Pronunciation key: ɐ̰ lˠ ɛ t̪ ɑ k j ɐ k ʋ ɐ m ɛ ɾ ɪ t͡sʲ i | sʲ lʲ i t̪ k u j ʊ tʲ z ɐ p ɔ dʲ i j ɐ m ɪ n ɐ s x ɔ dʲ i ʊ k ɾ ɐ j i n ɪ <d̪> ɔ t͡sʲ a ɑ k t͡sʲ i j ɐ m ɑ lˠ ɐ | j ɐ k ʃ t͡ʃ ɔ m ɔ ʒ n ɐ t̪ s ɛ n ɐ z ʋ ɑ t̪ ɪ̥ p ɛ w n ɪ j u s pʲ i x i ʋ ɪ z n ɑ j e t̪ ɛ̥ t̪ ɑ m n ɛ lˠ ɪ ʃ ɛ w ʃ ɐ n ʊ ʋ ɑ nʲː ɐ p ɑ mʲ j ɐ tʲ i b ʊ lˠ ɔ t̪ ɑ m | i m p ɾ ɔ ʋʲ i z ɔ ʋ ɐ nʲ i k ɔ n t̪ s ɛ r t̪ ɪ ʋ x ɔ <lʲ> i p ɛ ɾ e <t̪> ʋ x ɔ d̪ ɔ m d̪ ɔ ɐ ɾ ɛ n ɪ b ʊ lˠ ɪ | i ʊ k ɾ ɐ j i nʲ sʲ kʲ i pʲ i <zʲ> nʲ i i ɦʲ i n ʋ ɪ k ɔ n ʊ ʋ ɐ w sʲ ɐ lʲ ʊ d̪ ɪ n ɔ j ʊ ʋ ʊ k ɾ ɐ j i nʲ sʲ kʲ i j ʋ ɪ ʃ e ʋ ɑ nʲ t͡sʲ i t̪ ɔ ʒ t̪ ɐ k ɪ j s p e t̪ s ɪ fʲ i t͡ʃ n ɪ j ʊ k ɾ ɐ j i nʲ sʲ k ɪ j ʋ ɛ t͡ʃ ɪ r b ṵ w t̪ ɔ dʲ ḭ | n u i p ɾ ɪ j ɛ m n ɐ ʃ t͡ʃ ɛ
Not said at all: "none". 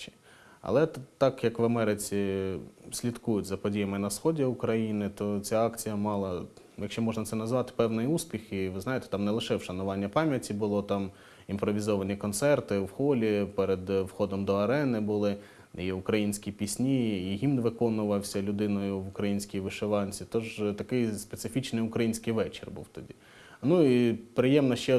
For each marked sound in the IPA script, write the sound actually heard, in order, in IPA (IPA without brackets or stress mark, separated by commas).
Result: t̪, lʲ, d̪, sʲ